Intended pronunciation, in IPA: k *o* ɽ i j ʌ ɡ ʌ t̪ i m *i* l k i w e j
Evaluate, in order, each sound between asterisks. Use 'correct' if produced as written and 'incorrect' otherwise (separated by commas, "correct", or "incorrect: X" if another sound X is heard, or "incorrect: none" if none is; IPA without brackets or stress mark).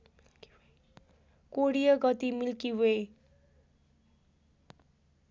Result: correct, correct